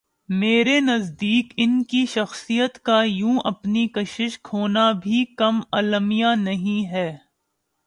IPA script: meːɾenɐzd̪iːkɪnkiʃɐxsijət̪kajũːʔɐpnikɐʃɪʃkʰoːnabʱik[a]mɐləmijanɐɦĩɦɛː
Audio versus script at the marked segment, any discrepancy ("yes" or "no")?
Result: yes